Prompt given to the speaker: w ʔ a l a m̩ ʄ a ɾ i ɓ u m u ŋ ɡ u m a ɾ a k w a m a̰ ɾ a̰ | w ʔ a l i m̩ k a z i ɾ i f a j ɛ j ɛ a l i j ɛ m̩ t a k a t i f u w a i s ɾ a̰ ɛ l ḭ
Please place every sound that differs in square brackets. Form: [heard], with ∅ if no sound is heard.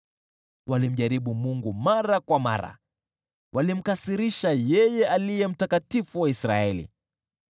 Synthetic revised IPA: w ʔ a l [i] m̩ ʄ a ɾ i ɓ u m u ŋ ɡ u m a ɾ a k w a m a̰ ɾ a̰ | w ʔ a l i m̩ k a [s] i ɾ i [ʃ] a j ɛ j ɛ a l i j ɛ m̩ t a k a t i f u w a i s ɾ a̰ ɛ l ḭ